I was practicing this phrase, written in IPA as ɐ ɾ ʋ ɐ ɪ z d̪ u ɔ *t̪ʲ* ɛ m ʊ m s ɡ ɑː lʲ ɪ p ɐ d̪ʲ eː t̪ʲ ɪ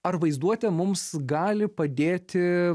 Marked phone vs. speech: correct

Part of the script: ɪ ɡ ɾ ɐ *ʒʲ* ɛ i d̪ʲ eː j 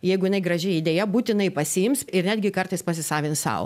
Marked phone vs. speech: correct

